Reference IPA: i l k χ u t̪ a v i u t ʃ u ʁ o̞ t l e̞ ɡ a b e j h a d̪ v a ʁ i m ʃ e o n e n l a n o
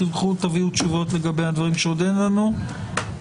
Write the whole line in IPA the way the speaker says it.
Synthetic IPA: i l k χ u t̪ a v i u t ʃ u v o̞ t l e̞ ɡ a b e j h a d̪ v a ʁ i m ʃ e o d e n l a n u